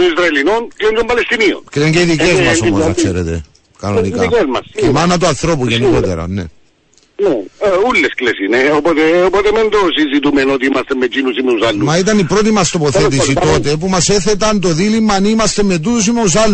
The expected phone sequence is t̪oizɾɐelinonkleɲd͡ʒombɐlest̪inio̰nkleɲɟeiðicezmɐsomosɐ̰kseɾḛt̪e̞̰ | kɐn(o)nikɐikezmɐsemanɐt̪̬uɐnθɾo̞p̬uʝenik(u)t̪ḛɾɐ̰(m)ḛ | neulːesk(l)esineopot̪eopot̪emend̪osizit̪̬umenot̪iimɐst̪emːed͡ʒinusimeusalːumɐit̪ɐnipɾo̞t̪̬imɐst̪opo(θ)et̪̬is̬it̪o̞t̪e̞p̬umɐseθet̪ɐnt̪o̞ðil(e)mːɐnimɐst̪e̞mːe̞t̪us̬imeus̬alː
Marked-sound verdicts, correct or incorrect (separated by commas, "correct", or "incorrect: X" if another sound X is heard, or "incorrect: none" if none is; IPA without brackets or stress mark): correct, incorrect: o, incorrect: n, correct, correct, incorrect: i